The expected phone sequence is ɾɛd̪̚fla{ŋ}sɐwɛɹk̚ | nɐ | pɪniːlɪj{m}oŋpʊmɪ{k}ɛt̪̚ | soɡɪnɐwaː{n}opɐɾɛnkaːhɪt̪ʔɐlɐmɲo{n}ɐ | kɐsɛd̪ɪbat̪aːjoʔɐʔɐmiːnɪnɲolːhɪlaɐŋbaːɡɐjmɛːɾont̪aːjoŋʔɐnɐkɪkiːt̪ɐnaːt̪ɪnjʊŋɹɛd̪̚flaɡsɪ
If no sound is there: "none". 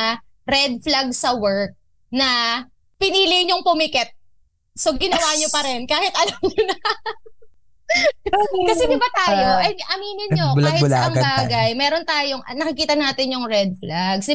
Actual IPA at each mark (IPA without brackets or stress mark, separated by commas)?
ɡ, ɲ, k, ɲ, n